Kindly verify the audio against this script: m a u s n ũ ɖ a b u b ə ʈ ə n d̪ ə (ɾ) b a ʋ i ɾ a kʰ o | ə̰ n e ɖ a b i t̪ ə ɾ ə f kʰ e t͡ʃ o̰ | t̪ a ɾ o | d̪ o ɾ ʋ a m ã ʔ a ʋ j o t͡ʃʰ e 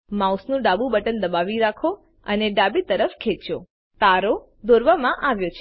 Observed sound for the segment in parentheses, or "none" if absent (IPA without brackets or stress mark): none